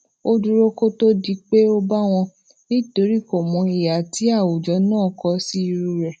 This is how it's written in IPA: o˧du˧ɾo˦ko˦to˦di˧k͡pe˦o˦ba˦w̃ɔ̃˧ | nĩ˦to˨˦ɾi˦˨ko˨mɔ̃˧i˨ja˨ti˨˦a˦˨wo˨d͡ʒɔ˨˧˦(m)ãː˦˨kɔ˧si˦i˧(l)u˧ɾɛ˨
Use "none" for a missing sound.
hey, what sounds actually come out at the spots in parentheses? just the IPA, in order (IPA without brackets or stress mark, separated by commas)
n, ɾ